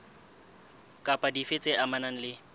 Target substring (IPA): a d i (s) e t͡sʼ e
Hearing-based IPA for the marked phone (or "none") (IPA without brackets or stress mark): f